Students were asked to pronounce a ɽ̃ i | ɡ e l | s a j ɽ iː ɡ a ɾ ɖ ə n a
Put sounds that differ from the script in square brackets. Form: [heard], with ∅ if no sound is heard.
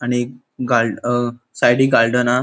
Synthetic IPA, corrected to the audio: a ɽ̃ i | ɡ [a] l | s a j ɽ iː ɡ a [l] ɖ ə n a